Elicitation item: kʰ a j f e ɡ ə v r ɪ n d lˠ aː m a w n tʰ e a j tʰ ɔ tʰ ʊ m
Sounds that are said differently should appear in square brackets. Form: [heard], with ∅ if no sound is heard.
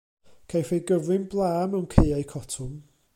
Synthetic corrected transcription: kʰ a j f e ɡ ə v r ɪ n [b] lˠ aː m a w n [kʰ] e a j [kʰ] ɔ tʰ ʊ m